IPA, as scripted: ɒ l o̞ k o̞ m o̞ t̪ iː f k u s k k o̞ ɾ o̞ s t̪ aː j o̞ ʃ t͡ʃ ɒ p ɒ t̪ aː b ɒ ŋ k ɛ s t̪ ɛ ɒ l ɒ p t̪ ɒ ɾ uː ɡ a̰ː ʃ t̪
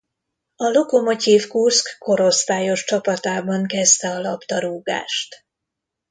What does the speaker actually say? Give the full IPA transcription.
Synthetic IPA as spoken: ɒ l o̞ k o̞ m o̞ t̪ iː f k u s k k o̞ ɾ o̞ s t̪ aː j o̞ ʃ t͡ʃ ɒ p ɒ t̪ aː b ɒ ŋ k ɛ s t̪ ɛ ɒ l ɒ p t̪ ɒ ɾ uː ɡ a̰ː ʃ t̪